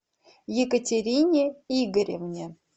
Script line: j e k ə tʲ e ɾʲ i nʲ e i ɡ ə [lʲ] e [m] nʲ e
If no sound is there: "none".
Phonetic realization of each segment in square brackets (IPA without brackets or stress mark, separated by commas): ɾʲ, m